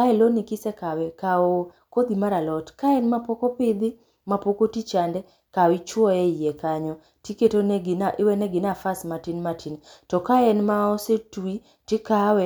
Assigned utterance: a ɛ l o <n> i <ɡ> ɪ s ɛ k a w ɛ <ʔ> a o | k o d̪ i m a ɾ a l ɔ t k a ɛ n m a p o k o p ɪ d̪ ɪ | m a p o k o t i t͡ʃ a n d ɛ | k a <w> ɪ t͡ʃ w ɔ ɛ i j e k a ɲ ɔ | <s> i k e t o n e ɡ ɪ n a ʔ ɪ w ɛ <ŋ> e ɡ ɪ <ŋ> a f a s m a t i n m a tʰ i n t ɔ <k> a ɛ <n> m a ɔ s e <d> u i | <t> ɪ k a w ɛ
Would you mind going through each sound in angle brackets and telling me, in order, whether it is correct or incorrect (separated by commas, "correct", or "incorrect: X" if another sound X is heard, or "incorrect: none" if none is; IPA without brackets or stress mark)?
correct, incorrect: k, incorrect: k, correct, incorrect: t, incorrect: n, incorrect: n, correct, correct, incorrect: t, correct